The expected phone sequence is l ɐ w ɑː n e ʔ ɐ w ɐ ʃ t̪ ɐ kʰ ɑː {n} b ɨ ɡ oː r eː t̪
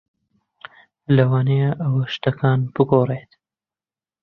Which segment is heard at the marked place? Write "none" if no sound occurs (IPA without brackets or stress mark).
n